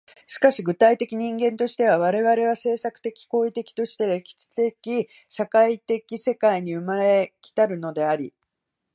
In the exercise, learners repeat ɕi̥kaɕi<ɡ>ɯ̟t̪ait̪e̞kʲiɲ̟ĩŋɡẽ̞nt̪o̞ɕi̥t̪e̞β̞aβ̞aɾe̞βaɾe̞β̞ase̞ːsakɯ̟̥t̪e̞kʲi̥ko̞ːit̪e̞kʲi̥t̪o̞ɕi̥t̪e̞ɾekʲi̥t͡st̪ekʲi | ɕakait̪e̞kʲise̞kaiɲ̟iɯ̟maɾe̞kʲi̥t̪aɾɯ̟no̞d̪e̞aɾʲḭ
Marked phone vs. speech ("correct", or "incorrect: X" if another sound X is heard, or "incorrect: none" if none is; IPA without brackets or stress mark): correct